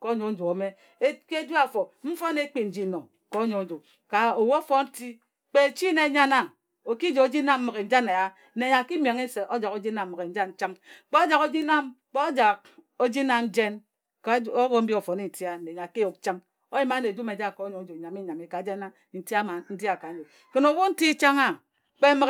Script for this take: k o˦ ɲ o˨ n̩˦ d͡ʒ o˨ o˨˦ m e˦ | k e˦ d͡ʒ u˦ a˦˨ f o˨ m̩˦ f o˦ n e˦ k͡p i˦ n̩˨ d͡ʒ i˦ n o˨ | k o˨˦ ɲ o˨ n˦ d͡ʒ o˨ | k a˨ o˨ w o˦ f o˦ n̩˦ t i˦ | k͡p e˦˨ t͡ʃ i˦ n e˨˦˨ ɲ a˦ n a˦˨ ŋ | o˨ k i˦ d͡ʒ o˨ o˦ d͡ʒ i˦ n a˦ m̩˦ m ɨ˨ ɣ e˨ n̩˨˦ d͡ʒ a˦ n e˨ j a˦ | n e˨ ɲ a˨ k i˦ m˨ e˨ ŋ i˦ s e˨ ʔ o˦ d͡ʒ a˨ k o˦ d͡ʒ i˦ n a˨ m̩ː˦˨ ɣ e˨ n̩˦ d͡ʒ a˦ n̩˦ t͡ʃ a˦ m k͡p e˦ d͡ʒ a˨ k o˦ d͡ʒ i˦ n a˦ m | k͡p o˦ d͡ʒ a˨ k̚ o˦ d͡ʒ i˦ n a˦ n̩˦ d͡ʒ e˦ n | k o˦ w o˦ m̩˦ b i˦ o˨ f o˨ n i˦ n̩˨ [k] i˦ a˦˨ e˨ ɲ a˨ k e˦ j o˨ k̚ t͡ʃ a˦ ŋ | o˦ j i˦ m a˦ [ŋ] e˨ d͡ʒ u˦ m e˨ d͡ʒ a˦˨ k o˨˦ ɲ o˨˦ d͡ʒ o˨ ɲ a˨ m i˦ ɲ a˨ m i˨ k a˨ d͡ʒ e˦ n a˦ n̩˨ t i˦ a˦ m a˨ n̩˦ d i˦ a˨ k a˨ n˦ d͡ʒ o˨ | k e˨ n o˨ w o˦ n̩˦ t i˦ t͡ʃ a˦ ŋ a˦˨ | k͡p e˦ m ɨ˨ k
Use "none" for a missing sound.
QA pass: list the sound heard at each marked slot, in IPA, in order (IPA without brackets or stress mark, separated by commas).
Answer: t, n